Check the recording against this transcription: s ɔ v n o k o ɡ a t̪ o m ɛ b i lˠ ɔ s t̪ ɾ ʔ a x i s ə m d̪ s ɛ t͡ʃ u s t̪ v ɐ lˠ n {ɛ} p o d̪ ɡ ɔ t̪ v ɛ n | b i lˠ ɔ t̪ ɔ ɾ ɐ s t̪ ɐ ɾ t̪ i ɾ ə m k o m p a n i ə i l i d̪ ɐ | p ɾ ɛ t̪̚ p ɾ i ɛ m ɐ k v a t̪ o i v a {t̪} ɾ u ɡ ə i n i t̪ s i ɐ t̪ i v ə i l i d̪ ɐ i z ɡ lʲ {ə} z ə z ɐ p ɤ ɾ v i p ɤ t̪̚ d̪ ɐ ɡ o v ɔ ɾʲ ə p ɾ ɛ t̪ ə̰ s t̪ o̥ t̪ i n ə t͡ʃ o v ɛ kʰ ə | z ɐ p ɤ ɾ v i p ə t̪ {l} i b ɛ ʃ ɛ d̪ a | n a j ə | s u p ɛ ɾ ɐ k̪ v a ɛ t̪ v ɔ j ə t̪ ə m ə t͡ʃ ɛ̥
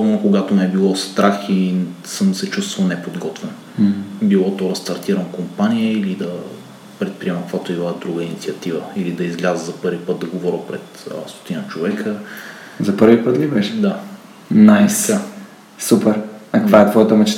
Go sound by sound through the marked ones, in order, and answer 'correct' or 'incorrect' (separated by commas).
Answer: correct, incorrect, incorrect, correct